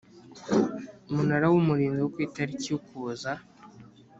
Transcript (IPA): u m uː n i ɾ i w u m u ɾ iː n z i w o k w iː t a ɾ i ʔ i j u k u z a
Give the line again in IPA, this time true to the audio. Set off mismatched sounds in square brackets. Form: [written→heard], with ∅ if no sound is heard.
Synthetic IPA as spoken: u m [uː→u] n [i→a] ɾ [i→a] w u m u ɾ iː n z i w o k w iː t a ɾ i [ʔ→c] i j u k u z a